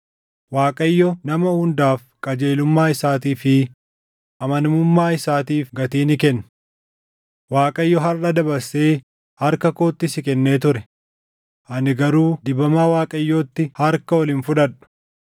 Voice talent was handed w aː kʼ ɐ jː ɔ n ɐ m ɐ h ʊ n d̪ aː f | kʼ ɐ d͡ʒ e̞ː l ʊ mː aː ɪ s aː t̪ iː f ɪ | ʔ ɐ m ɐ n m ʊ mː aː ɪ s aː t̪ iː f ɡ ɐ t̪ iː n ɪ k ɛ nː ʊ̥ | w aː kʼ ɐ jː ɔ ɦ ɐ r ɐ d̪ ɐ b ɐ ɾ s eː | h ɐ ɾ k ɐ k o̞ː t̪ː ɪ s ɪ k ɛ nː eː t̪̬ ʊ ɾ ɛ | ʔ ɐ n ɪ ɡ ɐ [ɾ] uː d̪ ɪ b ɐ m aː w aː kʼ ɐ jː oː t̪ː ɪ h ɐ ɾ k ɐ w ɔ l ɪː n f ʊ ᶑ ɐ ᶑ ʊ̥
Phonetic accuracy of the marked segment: correct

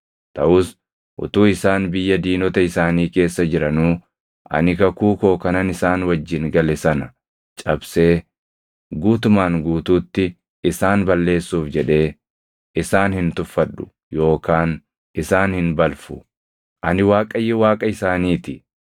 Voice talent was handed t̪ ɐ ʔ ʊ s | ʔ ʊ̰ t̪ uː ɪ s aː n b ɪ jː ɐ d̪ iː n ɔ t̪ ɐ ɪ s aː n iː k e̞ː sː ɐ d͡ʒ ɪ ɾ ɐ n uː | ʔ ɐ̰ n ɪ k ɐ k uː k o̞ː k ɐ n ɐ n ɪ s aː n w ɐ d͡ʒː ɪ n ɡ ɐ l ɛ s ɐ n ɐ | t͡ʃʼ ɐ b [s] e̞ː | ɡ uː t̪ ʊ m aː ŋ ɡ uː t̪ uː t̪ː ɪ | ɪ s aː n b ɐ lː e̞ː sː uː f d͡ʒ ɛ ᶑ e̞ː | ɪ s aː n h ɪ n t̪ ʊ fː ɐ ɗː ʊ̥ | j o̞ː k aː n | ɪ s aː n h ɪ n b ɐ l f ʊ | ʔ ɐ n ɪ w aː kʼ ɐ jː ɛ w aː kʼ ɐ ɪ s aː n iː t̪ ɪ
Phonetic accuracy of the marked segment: correct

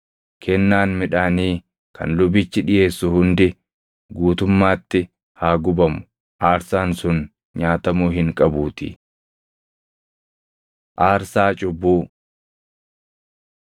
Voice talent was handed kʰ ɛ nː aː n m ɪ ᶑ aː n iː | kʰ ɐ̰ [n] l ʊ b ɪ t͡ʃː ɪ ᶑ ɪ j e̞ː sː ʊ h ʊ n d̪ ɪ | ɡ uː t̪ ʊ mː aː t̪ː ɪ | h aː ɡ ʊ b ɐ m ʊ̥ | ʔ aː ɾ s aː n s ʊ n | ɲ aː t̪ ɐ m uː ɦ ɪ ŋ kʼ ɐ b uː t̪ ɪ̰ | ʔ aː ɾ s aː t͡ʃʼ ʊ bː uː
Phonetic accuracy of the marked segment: correct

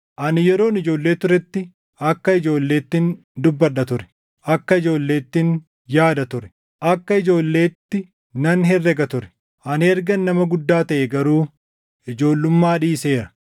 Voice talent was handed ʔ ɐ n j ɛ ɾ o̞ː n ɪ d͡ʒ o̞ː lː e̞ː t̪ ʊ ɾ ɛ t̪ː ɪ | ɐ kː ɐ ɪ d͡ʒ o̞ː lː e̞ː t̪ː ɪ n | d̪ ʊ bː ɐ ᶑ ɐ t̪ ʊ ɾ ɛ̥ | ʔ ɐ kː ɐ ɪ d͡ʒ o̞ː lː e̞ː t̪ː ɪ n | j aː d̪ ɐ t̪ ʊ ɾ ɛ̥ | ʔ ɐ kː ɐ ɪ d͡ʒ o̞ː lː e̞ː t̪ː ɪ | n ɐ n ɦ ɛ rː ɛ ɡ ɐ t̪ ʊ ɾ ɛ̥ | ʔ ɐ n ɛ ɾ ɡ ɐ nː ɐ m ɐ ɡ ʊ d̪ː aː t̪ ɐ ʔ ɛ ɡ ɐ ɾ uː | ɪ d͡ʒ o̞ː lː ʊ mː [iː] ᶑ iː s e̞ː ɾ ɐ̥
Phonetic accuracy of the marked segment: incorrect: aː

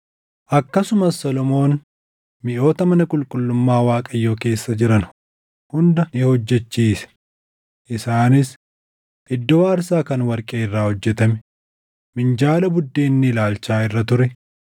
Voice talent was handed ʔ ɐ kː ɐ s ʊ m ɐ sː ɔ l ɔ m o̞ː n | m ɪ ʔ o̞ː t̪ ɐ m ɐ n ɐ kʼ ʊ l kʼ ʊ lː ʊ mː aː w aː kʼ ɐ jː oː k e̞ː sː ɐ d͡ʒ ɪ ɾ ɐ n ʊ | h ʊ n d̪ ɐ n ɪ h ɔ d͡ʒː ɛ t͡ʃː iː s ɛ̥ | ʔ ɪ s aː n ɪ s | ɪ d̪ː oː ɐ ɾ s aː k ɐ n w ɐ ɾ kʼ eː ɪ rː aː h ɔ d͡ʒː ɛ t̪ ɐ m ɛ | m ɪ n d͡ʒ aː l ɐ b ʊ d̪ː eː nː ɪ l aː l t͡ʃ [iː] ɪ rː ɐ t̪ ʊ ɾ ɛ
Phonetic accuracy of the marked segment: incorrect: aː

